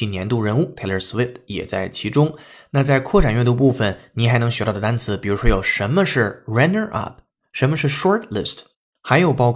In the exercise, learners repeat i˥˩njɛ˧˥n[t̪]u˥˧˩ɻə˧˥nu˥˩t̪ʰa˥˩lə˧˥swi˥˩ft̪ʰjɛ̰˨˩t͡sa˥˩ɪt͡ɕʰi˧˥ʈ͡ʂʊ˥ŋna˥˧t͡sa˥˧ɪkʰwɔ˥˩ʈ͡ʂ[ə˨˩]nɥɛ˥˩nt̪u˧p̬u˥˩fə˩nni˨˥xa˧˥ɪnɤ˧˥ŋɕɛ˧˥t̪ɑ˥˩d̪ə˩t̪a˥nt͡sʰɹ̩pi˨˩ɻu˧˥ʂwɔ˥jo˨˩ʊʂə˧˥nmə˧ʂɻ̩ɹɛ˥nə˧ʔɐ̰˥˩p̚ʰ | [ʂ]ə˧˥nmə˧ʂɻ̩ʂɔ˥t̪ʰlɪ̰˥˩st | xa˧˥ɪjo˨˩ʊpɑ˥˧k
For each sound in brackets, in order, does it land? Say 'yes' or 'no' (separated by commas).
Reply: yes, no, yes